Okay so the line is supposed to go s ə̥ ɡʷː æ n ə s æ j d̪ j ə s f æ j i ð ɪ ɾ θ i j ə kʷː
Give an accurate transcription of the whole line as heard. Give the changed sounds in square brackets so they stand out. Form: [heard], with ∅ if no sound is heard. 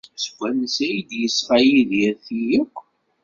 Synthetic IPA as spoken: s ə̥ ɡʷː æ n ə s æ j d̪ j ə s f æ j i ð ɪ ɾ θ i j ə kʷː